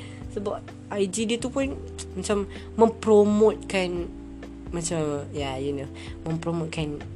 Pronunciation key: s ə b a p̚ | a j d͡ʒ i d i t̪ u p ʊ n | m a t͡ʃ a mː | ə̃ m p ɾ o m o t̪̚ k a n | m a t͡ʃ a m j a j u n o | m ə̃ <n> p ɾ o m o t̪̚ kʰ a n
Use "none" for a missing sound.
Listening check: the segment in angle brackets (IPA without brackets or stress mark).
m